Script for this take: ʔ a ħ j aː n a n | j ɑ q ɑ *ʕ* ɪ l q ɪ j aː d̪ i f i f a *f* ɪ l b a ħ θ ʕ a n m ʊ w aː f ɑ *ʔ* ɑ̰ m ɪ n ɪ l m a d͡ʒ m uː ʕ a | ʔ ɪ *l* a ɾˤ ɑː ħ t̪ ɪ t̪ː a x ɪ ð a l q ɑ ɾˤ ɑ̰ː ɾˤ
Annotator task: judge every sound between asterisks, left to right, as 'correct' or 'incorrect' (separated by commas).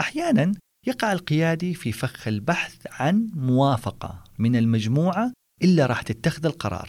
correct, incorrect, incorrect, incorrect